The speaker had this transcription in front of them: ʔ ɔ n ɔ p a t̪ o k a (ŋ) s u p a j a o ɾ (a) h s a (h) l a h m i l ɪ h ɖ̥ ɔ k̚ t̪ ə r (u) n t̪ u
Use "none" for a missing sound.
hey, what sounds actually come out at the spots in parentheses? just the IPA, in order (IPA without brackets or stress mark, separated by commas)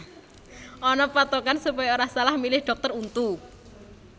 n, a, none, u